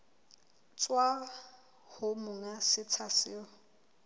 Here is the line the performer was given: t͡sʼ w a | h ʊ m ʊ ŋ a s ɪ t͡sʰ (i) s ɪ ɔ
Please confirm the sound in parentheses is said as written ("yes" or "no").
no